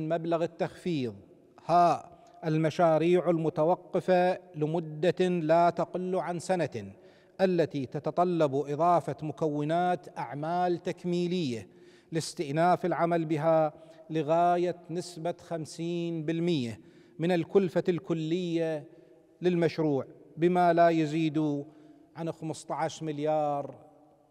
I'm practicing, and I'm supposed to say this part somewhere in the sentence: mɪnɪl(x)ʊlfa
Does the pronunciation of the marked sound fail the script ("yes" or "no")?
yes